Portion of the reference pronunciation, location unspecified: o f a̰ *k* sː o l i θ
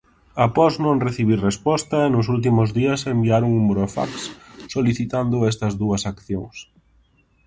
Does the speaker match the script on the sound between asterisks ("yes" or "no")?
yes